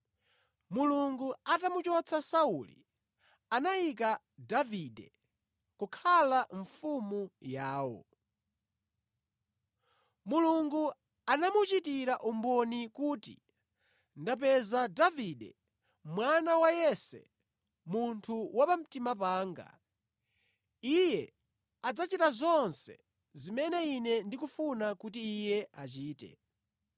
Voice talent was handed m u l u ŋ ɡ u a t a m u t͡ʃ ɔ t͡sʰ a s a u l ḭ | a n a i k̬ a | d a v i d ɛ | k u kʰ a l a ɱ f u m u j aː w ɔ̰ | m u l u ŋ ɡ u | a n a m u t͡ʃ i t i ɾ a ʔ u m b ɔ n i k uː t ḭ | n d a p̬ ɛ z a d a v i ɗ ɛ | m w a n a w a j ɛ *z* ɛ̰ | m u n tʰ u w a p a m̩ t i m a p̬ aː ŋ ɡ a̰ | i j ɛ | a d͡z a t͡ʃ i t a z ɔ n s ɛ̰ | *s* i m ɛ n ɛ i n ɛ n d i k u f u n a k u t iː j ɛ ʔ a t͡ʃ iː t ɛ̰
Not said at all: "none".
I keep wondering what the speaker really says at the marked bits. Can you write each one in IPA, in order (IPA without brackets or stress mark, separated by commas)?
s, z